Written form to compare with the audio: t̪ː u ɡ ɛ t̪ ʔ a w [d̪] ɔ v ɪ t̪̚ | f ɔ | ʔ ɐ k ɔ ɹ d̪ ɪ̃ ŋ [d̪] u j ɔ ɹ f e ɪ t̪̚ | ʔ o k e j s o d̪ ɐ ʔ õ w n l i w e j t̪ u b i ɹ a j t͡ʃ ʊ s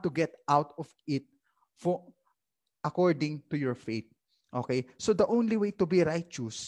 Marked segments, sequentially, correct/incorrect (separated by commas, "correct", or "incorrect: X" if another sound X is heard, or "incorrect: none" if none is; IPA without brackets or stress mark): incorrect: t̪, incorrect: t̪